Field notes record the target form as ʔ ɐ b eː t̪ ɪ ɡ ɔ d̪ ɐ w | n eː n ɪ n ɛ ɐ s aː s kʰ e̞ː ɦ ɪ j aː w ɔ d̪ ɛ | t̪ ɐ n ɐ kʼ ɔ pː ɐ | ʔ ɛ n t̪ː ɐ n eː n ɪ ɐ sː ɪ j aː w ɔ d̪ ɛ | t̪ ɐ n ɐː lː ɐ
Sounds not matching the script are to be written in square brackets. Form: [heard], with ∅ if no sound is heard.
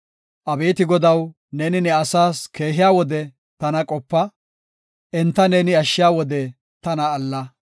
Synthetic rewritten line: ʔ ɐ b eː t̪ ɪ ɡ ɔ d̪ ɐ w | n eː n ɪ n ɛ ɐ s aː s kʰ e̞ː ɦ ɪ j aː w ɔ d̪ ɛ | t̪ ɐ n ɐ kʼ ɔ pː ɐ | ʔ ɛ n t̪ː ɐ n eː n ɪ ɐ [ʃː] ɪ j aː w ɔ d̪ ɛ | t̪ ɐ n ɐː lː ɐ